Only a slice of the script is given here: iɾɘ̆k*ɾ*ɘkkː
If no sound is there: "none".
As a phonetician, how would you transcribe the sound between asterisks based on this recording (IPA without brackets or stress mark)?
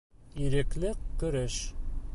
l